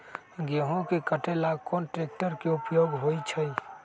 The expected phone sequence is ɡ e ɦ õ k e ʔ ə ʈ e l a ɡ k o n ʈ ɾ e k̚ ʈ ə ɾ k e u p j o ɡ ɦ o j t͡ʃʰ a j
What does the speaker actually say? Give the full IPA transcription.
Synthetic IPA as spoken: ɡ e ɦ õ k e k ə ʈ e l a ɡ k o n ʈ ɾ e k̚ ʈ ə ɾ k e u p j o ɡ ɦ o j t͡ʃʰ ə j